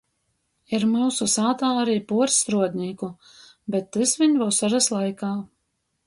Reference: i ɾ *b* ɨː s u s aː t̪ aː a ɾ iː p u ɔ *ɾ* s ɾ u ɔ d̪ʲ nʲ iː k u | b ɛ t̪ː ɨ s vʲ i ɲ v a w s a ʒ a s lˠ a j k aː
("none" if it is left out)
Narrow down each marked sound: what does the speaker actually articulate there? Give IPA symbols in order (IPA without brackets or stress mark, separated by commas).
m, ɾ